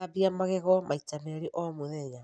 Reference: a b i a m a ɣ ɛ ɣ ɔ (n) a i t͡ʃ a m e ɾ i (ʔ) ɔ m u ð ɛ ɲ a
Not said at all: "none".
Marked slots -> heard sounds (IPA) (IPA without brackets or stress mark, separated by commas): m, ʔ